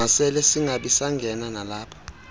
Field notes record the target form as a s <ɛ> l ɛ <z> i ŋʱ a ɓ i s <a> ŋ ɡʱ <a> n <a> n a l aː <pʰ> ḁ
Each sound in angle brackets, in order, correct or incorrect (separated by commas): correct, incorrect, correct, incorrect, correct, correct